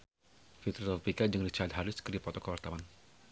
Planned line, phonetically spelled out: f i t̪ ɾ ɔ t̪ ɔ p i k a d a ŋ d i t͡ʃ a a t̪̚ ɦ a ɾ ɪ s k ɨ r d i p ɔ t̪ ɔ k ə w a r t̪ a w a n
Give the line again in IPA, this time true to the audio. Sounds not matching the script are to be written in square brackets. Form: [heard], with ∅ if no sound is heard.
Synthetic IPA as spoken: f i t̪ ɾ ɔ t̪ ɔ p i k a [d͡ʒ] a ŋ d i t͡ʃ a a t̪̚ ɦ a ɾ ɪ s k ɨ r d i p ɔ t̪ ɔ k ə w a r t̪ a w a n